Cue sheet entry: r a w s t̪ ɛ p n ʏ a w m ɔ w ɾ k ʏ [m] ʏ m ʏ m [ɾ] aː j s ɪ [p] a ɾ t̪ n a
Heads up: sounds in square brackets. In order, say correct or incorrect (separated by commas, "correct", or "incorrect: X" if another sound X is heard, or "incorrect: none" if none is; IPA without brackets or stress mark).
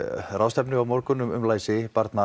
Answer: incorrect: n, incorrect: l, correct